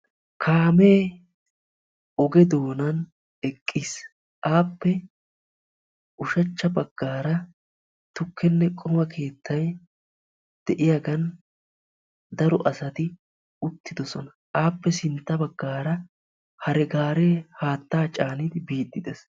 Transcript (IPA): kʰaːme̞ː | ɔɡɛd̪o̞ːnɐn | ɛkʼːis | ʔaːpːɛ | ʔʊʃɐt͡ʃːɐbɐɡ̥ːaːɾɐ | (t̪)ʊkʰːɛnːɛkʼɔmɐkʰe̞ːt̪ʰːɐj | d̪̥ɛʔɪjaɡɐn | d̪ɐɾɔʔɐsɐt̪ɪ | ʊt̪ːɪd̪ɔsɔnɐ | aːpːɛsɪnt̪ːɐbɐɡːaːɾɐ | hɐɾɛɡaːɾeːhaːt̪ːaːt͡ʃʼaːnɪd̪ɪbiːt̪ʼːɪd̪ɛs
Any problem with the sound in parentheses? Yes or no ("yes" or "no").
no